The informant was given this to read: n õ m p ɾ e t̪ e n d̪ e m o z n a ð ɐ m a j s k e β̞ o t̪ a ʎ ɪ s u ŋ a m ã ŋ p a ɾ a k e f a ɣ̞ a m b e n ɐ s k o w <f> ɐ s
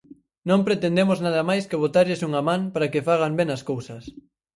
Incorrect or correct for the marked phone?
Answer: incorrect: s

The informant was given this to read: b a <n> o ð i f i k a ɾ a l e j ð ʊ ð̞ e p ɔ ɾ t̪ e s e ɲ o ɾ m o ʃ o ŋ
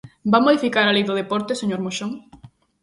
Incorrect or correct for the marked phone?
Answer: incorrect: m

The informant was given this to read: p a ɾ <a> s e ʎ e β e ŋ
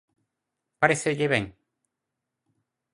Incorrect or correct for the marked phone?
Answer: incorrect: e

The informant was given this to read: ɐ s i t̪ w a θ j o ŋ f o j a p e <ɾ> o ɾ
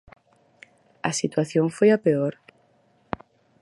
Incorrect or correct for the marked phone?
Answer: incorrect: none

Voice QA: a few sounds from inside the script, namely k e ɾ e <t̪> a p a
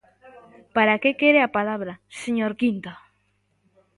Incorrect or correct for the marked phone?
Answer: incorrect: none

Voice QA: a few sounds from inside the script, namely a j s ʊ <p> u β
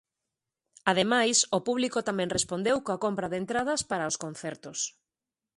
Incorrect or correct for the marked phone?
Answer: correct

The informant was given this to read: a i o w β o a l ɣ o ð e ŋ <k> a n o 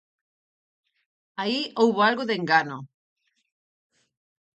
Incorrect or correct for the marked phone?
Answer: incorrect: ɡ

